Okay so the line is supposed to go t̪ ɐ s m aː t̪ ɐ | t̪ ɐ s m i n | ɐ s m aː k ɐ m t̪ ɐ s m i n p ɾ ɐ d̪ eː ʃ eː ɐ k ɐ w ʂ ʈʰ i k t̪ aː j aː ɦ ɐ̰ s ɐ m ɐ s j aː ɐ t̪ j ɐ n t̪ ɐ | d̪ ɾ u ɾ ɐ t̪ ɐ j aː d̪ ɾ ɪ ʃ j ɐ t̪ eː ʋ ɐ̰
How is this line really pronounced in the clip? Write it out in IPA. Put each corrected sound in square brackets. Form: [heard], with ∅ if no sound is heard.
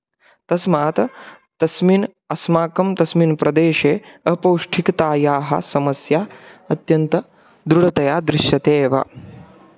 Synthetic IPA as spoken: t̪ ɐ s m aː t̪ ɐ | t̪ ɐ s m i n | ɐ s m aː k ɐ m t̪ ɐ s m i n p ɾ ɐ d̪ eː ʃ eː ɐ [p] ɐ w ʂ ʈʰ i k t̪ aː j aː ɦ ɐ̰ s ɐ m ɐ s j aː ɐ t̪ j ɐ n t̪ ɐ | d̪ ɾ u [ɽ] ɐ t̪ ɐ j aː d̪ ɾ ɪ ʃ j ɐ t̪ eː ʋ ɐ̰